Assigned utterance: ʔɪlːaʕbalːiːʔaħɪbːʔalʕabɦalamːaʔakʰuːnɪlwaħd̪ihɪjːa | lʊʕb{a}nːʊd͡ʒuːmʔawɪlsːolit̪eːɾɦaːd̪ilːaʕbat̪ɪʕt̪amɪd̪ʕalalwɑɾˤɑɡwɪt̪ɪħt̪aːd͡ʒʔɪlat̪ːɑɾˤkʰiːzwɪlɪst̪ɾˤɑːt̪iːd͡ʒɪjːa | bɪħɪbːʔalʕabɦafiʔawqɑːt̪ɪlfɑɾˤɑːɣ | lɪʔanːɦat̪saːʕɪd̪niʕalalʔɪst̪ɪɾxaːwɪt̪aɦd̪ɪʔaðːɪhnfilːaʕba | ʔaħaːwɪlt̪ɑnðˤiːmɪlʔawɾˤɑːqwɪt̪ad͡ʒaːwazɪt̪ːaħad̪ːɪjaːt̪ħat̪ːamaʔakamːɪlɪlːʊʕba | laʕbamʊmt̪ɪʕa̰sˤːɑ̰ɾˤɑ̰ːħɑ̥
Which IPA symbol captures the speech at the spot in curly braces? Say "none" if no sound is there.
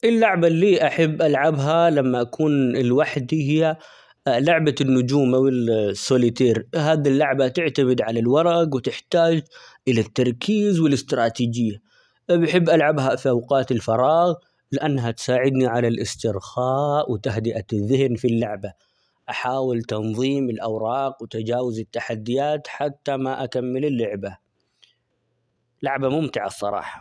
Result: a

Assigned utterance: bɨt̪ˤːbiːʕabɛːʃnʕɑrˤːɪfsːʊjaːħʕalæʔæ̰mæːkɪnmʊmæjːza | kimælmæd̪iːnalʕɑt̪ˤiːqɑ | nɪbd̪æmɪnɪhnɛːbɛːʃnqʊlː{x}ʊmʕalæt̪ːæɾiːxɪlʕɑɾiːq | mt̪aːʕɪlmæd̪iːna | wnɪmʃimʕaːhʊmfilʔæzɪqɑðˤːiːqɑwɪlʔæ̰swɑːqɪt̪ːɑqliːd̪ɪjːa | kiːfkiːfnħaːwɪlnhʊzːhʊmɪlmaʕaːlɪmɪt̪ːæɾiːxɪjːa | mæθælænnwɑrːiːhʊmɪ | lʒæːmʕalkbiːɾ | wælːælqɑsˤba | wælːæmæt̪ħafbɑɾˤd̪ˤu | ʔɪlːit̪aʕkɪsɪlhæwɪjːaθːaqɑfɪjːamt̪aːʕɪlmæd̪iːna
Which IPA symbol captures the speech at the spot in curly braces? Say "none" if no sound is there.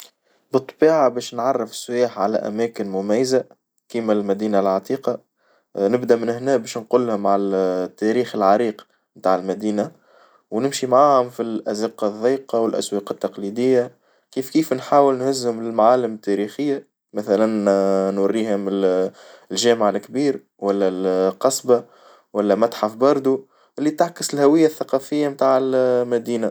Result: h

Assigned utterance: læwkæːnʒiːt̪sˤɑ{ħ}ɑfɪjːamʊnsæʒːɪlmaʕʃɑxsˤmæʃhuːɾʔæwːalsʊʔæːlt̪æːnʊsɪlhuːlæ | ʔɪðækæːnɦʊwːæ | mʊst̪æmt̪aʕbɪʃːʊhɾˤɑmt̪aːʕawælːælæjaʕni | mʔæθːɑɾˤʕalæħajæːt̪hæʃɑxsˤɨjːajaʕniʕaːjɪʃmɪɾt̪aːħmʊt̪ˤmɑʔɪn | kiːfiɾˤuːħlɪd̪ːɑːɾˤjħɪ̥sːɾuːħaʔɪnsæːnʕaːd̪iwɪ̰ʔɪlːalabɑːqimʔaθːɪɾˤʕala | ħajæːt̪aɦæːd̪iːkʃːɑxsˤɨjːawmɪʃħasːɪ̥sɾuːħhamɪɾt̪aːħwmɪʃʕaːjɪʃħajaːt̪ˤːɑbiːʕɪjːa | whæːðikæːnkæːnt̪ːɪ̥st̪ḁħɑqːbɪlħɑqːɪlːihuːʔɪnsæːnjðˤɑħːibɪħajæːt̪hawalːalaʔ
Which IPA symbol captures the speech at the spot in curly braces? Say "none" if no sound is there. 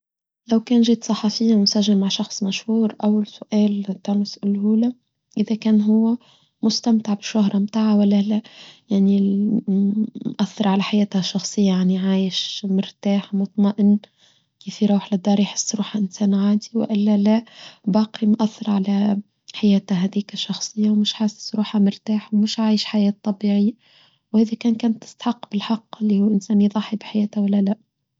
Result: ħ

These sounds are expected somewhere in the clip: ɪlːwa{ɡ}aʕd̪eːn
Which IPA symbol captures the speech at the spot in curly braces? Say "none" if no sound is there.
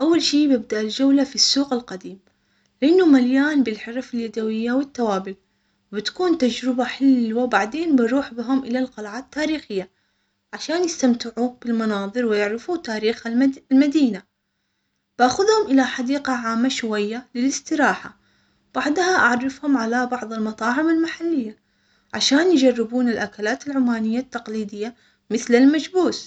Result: b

